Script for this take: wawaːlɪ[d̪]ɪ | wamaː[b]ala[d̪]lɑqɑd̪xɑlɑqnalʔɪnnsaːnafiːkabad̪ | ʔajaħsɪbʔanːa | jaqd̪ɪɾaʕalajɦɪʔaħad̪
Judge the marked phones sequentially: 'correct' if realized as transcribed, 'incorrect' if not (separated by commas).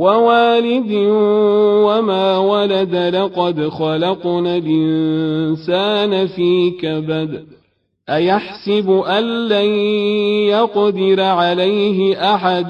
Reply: correct, incorrect, correct